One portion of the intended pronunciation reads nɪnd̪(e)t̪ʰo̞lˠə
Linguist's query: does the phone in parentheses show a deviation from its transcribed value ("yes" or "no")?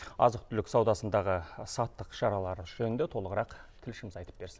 no